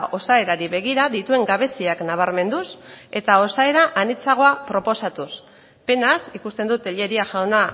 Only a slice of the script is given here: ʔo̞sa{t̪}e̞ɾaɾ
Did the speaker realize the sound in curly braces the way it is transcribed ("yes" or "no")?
no